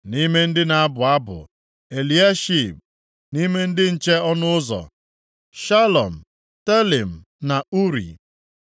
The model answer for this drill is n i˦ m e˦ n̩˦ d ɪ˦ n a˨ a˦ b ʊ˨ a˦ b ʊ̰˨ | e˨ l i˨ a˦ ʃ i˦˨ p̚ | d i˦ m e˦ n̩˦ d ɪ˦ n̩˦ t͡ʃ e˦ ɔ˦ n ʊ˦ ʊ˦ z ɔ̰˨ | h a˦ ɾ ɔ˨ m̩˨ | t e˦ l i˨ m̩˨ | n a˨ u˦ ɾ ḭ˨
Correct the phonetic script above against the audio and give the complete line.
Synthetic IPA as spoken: n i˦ m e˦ n̩˦ d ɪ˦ n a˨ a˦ b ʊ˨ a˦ b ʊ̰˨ | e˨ l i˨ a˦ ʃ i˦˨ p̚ | n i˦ m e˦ n̩˦ d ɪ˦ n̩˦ t͡ʃ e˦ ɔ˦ n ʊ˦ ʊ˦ z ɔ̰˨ | ʃ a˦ l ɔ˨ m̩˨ | t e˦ l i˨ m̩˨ | n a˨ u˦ ɾ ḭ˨